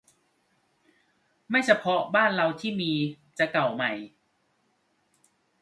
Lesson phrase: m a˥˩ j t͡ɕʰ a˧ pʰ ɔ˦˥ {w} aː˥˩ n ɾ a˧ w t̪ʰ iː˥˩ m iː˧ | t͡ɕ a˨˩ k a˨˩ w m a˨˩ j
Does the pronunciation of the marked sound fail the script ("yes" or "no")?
yes